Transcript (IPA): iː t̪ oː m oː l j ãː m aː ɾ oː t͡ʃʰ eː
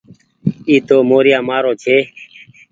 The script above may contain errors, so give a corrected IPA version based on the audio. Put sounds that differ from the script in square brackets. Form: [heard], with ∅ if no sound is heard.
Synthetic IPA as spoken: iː t̪ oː m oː [ɾ] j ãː m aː ɾ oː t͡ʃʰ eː